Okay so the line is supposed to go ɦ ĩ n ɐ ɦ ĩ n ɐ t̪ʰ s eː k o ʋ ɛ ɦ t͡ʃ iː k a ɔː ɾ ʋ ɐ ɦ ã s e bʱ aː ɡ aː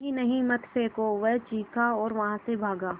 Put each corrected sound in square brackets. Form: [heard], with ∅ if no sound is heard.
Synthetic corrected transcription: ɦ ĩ n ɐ ɦ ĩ [m] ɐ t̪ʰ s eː k o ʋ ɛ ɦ t͡ʃ iː k a ɔː ɾ ʋ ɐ ɦ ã s e bʱ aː ɡ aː